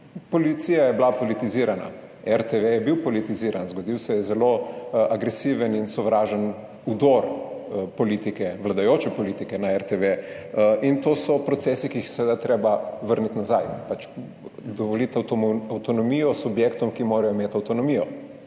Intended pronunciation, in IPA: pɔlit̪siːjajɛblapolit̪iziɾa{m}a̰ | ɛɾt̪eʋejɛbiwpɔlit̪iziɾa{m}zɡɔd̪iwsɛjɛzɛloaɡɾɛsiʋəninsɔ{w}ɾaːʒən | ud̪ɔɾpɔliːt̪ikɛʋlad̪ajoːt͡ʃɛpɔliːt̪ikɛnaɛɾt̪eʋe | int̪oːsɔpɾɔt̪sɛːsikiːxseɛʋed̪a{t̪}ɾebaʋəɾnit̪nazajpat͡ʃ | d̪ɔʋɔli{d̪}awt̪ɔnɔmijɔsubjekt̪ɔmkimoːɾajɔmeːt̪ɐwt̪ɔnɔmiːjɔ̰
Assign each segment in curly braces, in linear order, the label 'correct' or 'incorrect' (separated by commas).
incorrect, incorrect, incorrect, correct, incorrect